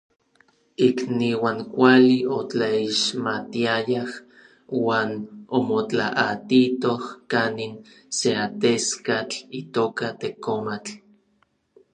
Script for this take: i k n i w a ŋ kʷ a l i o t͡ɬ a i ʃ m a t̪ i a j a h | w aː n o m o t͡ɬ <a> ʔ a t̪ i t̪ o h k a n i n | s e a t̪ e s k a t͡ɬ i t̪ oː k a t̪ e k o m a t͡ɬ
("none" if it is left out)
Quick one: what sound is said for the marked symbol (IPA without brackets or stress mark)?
a